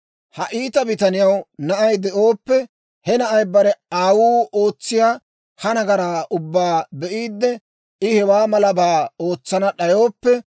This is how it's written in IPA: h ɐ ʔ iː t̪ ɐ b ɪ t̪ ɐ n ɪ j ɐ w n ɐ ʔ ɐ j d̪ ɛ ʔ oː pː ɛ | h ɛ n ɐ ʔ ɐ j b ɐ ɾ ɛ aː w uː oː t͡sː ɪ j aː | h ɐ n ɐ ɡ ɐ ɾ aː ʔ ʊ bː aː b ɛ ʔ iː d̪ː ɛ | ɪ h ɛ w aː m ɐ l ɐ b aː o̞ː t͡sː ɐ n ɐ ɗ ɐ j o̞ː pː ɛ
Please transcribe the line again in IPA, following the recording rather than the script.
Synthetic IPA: h ɐ ʔ iː t̪ ɐ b ɪ t̪ ɐ n ɪ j ɐ w n ɐ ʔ ɐ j d̪ ɛ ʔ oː pː ɛ | h ɛ n ɐ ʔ ɐ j b ɐ ɾ ɛ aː w uː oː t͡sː ɪ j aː | h ɐ n ɐ ɡ ɐ ɾ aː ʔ ʊ bː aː b ɛ ʔ iː d̪ː ɛ | ɪ h ɛ w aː m ɐ l ɐ b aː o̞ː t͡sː ɐ n ɐ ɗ ɐ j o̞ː pː ɛ